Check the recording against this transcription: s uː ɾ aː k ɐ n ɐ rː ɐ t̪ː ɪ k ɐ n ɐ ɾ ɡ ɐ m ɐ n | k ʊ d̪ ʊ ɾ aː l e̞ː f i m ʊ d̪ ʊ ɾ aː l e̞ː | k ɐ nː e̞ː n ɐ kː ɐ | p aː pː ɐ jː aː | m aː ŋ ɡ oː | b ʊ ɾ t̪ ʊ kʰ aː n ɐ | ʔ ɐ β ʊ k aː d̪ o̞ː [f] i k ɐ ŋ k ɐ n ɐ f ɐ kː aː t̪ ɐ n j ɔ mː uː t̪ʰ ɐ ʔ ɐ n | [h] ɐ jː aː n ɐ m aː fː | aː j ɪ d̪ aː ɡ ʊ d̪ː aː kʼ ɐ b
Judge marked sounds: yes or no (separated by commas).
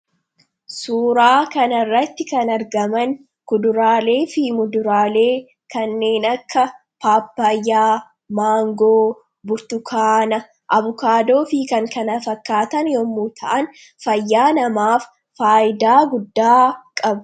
yes, no